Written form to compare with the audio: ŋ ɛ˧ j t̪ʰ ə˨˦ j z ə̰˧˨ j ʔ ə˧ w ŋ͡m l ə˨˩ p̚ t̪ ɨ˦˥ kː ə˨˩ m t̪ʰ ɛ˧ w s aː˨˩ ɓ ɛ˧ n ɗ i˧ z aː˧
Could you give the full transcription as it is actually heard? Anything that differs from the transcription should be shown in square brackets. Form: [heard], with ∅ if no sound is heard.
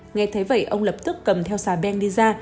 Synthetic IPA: ŋ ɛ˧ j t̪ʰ ə˨˦ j [v] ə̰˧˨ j ʔ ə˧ w ŋ͡m l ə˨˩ p̚ t̪ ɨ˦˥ kː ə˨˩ m t̪ʰ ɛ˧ w s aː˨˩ ɓ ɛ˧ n ɗ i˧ z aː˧